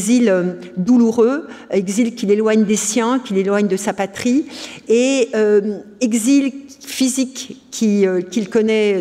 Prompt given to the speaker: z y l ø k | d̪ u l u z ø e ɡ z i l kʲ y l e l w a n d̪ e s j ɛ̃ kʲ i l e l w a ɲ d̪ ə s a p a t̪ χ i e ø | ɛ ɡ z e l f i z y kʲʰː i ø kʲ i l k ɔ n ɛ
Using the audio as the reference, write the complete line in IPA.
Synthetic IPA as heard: z i l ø | d̪ u l u ʁ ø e ɡ z i l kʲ i l e l w a ɲ d̪ e s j ɛ̃ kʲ i l e l w a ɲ d̪ ə s a p a t̪ χ i e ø | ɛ ɡ z i l f i z i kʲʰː i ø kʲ i l k ɔ n ɛ